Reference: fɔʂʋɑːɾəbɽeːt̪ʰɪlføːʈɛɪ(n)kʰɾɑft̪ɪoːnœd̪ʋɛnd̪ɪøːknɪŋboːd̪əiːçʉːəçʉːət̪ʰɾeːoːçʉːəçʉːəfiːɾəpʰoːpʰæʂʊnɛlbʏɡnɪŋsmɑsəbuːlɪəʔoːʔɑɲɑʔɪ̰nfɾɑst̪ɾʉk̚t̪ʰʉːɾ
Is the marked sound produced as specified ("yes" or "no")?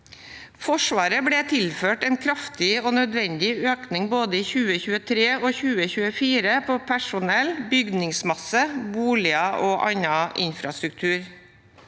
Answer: yes